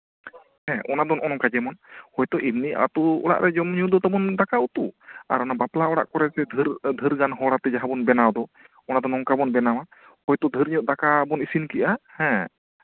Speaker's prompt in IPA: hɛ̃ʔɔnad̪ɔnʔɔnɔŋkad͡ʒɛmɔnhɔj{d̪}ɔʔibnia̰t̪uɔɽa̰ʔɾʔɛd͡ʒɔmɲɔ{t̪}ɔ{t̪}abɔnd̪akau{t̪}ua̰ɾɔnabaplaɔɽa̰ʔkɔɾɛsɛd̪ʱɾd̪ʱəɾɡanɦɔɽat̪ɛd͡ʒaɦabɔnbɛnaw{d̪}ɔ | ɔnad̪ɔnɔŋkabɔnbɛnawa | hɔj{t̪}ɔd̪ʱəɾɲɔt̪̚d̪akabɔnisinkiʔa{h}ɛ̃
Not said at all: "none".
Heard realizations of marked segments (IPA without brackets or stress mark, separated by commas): t̪, d̪, t̪, t̪, d̪, t̪, h